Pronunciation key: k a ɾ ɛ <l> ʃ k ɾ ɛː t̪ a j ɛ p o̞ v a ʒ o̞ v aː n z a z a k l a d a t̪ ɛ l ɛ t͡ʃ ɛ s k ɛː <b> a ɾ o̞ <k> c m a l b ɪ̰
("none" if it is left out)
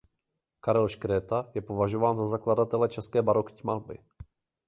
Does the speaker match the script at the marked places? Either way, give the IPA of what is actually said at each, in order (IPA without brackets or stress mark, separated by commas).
l, b, k